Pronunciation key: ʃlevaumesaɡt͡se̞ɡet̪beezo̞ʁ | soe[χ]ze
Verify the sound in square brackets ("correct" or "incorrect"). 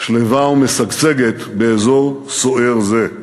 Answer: incorrect